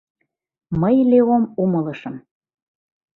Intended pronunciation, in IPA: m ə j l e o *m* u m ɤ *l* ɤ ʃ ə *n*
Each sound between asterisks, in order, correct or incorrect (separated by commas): correct, correct, incorrect